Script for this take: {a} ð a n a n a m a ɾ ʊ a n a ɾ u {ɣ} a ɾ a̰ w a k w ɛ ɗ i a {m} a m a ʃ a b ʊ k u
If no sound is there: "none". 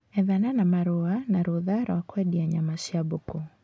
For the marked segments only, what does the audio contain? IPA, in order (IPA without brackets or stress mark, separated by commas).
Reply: ɛ, ð, ɲ